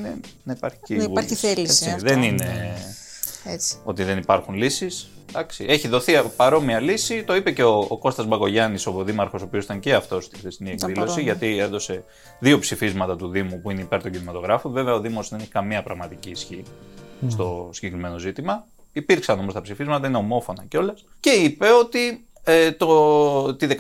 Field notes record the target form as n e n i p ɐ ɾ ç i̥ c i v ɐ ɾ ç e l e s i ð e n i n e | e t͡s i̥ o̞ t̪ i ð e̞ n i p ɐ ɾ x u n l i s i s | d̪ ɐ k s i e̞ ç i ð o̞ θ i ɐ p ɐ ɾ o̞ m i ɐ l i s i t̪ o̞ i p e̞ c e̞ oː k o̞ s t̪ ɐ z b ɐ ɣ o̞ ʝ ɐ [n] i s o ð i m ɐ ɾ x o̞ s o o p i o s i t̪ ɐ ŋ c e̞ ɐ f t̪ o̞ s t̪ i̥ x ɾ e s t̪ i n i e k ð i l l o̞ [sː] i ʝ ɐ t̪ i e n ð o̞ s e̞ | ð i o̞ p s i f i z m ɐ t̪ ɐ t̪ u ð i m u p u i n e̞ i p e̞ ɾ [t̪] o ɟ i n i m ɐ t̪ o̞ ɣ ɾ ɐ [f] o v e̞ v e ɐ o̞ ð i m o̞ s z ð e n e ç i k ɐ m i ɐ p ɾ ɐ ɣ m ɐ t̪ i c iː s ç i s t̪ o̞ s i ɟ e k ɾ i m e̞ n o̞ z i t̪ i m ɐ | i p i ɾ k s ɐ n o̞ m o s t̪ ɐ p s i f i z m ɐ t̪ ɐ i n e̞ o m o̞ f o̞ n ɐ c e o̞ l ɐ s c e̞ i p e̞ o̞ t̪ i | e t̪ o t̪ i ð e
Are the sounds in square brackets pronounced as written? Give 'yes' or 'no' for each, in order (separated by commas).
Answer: yes, no, yes, yes